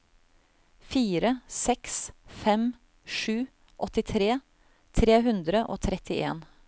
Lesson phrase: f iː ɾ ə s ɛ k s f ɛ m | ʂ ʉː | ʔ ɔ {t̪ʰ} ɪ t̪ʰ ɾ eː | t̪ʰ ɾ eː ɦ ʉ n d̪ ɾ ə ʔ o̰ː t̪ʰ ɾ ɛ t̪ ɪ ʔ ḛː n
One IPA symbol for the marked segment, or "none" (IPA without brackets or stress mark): t̪